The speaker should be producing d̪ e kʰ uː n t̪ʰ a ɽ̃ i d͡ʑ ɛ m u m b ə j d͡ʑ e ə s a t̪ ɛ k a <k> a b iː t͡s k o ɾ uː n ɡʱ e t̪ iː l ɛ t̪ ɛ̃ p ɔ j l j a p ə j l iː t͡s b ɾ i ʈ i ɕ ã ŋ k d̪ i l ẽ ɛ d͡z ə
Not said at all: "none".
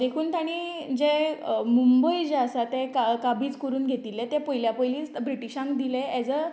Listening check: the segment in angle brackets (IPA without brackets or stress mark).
k